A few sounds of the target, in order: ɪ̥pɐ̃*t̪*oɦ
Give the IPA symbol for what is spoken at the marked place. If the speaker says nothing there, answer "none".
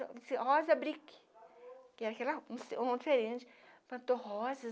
t̪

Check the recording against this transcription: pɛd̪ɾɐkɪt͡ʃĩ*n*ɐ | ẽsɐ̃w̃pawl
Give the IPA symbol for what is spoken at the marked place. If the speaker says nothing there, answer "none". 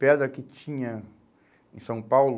ɲ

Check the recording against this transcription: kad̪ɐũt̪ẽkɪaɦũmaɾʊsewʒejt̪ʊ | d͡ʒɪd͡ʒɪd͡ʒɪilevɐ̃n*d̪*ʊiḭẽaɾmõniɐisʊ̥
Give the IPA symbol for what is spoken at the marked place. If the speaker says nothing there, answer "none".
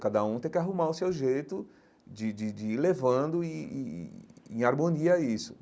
d̪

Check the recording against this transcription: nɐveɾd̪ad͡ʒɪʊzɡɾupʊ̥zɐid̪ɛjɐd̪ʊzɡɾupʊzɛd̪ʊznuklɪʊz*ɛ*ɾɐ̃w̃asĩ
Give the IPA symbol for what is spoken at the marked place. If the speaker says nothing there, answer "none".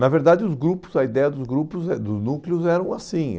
ɛ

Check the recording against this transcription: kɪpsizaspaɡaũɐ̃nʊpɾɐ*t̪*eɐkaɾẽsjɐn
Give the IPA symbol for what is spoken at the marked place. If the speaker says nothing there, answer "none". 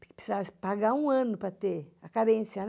t̪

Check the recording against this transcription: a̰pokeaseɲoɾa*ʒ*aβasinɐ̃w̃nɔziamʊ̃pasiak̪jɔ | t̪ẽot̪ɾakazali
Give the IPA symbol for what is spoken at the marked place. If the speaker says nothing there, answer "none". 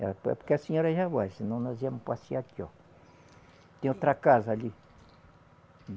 ʒ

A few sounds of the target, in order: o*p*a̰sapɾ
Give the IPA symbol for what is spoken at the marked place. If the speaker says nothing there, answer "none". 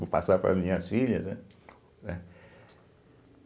p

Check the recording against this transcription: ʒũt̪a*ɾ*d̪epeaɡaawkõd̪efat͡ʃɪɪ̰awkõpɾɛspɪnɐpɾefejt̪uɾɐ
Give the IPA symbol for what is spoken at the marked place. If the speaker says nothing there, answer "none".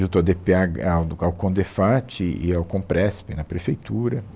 none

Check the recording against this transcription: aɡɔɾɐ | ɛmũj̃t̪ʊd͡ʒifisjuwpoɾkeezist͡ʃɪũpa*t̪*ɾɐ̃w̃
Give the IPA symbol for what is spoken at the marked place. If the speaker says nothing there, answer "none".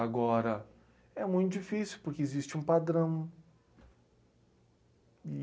d̪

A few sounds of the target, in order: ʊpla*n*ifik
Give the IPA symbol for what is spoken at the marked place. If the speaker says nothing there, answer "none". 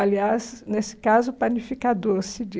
n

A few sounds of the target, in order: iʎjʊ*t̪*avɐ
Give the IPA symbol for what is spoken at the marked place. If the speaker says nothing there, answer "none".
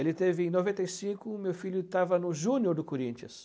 t̪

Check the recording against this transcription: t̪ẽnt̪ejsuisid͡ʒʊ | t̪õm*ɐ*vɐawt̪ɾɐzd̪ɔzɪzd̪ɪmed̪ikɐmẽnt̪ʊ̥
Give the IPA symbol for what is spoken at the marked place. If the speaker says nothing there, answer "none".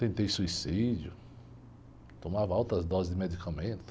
a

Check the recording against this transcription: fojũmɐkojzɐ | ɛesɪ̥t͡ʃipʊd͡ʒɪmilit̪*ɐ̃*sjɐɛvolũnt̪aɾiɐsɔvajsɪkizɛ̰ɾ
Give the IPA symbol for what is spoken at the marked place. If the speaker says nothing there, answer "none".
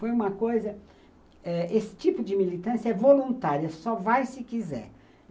ɐ̃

